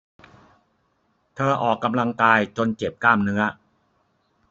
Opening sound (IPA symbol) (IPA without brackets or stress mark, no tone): t̪ʰ